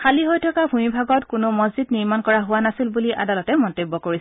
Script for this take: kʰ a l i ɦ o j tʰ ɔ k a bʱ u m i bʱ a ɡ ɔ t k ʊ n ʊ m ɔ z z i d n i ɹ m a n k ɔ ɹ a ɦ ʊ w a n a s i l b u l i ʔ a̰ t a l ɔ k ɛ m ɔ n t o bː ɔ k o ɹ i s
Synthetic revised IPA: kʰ a l i ɦ o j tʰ ɔ k a bʱ u m i bʱ a ɡ ɔ t k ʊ n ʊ m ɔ z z i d n i ɹ m a n k ɔ ɹ a ɦ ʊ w a n a s i l b u l i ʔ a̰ d a l ɔ t ɛ m ɔ n t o bː ɔ k o ɹ i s